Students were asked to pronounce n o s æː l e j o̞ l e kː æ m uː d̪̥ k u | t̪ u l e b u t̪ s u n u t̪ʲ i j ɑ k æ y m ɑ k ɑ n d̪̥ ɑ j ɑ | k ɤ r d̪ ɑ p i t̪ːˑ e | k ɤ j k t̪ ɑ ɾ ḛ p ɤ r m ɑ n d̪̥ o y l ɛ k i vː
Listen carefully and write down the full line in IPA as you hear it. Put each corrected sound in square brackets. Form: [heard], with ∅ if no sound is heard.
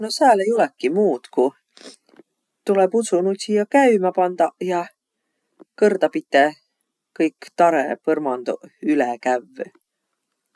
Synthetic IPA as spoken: n o s æː l e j o̞ l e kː [i] m uː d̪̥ k u | t̪ u l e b u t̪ s u n u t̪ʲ i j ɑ k æ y m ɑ [p] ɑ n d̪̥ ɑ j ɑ | k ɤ r d̪ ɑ p i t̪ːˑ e | k ɤ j k t̪ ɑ ɾ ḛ p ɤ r m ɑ n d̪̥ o y l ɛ k [æ] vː